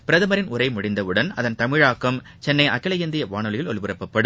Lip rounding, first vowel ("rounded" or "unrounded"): unrounded